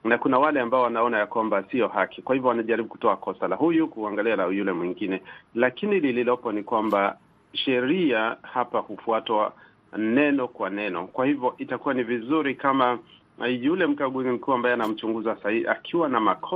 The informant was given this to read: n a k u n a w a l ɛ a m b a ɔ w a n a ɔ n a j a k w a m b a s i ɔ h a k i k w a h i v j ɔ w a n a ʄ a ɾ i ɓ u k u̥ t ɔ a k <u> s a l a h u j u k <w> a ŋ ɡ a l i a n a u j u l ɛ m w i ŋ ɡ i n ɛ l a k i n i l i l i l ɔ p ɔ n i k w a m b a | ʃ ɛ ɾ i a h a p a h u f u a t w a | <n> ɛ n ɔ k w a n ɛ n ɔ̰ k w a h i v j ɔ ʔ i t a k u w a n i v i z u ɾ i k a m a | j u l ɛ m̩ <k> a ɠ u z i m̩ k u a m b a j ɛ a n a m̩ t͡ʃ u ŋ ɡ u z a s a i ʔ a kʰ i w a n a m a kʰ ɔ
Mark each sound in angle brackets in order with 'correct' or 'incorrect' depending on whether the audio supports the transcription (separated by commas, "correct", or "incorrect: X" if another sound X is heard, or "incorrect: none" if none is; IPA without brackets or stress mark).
incorrect: ɔ, incorrect: u, correct, correct